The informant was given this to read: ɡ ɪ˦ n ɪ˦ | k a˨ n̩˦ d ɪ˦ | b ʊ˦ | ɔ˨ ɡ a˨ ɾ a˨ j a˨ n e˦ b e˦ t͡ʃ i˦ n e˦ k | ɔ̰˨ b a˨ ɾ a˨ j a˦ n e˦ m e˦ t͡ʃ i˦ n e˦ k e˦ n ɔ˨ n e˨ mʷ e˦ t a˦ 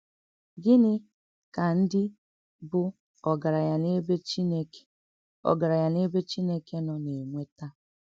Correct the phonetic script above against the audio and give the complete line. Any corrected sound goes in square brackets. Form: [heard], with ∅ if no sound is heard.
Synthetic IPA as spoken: ɡ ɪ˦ n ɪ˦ | k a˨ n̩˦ d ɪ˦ | b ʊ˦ | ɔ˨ ɡ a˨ ɾ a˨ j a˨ n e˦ b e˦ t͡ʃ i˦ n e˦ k | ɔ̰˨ [ɡ] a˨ ɾ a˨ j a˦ n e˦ [b] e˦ t͡ʃ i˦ n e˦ k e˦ n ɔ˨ n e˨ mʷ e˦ t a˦